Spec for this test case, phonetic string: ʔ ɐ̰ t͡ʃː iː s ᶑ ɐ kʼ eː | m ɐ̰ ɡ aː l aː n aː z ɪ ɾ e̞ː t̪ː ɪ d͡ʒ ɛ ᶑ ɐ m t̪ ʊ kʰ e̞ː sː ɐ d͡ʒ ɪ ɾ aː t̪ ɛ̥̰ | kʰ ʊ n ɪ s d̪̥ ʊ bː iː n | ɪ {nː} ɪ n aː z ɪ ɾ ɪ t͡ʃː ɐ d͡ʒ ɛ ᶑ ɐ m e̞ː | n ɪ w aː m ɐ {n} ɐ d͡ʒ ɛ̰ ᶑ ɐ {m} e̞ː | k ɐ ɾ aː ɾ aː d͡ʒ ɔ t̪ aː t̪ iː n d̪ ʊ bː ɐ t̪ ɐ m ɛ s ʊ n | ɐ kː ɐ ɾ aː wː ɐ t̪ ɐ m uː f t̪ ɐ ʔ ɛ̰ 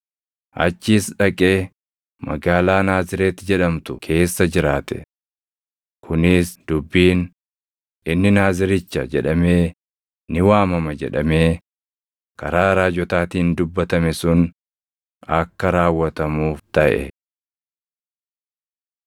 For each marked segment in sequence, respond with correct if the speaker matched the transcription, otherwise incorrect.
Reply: correct, incorrect, correct

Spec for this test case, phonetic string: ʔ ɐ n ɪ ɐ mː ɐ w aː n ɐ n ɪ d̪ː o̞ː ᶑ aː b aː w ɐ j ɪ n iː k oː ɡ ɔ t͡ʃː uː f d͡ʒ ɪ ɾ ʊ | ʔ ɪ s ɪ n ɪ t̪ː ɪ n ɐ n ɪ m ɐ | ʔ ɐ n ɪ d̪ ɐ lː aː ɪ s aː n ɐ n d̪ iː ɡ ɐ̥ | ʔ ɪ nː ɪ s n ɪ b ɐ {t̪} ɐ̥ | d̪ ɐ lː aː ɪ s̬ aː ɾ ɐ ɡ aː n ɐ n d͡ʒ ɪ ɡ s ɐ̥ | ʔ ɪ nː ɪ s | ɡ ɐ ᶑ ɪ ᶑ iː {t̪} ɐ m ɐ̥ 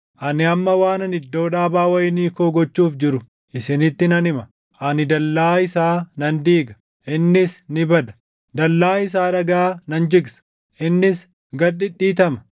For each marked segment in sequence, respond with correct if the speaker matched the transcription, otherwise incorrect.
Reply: incorrect, correct

